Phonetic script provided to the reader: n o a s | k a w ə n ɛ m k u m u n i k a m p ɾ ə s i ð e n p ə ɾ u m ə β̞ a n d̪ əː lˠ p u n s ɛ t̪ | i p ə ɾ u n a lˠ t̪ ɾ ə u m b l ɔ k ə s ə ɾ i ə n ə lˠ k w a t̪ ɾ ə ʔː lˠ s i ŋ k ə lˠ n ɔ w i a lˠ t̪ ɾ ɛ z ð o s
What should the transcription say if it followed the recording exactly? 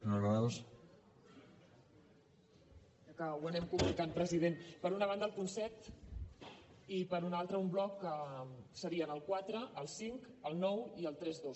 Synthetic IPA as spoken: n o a s | k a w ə n ɛ m k u m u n i k a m p ɾ ə z i ð e n p ə ɾ u n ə β̞ a n d̪ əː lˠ p u n s ɛ t̪ | i p ə ɾ u n a lˠ t̪ ɾ ə u m b l ɔ k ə s ə ɾ i ə n ə lˠ k w a t̪ ɾ ə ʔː lˠ s i ŋ k ə lˠ n ɔ w i ə lˠ t̪ ɾ ɛ z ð o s